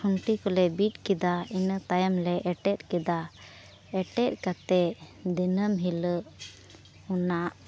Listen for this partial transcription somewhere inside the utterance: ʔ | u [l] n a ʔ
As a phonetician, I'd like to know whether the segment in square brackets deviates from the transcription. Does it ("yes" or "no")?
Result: yes